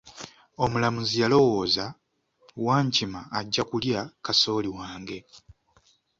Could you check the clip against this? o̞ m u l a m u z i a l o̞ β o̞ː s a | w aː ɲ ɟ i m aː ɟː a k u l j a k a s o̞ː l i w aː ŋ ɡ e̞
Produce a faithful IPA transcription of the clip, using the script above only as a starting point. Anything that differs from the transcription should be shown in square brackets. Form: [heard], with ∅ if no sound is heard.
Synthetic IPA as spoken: o̞ m u l a m u z i a l o̞ [w] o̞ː [z] a | w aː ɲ [c] i m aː ɟː a k u l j a k a s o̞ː l i w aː ŋ ɡ e̞